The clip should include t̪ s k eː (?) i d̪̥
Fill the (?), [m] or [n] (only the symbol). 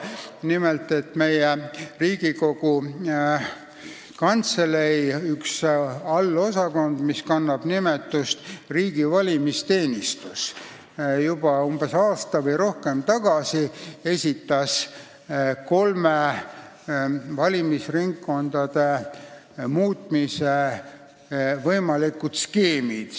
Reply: m